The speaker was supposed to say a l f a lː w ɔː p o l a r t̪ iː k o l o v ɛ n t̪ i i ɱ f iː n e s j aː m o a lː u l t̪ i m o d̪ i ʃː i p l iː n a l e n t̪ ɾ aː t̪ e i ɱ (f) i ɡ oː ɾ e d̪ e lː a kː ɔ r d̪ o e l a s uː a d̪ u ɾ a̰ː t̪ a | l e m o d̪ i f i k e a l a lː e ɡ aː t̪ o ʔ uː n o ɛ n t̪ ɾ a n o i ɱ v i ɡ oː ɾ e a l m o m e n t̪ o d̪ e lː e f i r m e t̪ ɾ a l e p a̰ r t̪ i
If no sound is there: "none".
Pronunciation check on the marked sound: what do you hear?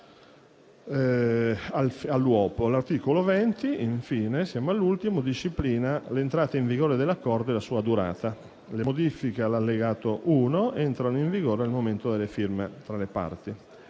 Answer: v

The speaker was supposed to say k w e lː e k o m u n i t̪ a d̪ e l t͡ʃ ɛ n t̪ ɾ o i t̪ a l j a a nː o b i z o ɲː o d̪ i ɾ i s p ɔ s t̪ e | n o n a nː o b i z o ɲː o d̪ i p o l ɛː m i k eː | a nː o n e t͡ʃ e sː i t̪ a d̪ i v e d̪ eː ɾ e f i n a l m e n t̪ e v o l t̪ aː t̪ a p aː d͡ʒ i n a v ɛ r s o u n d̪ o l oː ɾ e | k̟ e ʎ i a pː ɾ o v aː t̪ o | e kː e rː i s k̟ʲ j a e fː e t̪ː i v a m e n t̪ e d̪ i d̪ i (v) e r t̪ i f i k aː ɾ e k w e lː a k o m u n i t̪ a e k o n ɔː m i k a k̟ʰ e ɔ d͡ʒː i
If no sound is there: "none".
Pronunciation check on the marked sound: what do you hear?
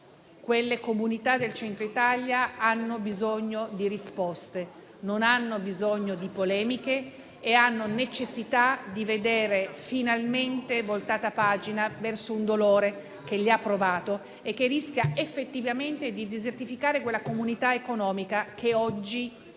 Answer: z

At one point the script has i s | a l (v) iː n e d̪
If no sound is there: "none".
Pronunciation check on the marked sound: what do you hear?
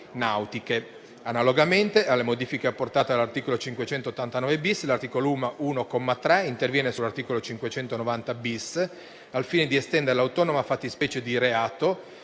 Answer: f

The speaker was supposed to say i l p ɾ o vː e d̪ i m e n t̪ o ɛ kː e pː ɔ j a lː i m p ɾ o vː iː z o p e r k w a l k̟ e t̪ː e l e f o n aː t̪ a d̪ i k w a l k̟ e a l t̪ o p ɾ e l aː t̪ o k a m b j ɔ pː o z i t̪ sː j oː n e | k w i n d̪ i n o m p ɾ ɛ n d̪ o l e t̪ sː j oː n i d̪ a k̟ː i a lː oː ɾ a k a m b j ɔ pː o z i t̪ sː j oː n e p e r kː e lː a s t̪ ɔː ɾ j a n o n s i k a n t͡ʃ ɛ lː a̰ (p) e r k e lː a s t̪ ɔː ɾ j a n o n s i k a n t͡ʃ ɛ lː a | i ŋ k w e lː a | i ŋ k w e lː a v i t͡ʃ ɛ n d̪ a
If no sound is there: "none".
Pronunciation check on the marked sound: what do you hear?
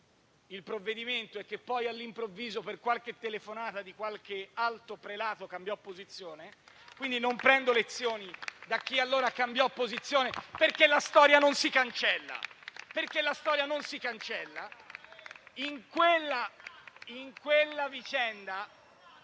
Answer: p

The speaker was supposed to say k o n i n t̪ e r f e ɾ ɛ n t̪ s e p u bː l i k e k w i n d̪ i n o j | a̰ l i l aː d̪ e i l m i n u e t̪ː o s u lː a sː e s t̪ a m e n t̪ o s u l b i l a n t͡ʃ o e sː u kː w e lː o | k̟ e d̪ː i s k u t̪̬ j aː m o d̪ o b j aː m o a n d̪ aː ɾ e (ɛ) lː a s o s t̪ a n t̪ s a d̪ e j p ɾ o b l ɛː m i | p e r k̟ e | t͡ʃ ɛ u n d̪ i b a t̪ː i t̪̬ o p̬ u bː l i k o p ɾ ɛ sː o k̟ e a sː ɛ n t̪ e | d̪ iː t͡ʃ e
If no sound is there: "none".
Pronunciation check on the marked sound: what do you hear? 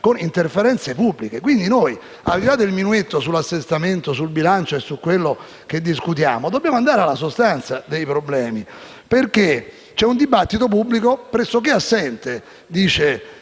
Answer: a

